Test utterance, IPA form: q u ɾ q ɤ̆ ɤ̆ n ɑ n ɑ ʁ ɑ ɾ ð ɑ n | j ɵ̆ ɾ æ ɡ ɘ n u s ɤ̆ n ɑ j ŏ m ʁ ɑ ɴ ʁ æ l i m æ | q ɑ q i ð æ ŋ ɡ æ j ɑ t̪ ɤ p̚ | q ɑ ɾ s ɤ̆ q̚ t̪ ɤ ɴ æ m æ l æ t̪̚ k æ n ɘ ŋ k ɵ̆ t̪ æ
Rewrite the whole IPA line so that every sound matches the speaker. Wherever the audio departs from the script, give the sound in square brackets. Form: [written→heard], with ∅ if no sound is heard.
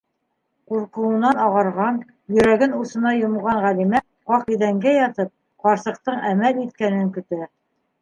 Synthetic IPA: q u ɾ q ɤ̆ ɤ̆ n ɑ n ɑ ʁ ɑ ɾ [ð→ʁ] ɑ n | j ɵ̆ ɾ æ ɡ ɘ n u s ɤ̆ n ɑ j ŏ m ʁ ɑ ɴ ʁ æ l i m æ | q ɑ q i ð æ ŋ ɡ æ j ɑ t̪ ɤ p̚ | q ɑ ɾ s ɤ̆ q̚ t̪ ɤ ɴ æ m æ l [æ→i] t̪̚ k æ n ɘ ŋ k ɵ̆ t̪ æ